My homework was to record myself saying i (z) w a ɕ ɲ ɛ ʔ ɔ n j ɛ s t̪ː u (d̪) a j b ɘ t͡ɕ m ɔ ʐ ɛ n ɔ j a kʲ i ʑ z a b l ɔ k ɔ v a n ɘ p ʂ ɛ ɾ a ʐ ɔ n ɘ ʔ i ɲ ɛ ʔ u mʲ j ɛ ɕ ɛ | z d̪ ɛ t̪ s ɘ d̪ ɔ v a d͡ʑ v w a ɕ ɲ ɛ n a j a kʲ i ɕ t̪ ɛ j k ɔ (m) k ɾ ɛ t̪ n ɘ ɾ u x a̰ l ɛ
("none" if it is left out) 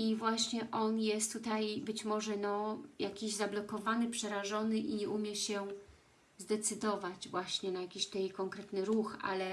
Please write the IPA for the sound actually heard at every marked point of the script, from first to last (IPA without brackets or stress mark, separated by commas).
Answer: v, t̪, ŋ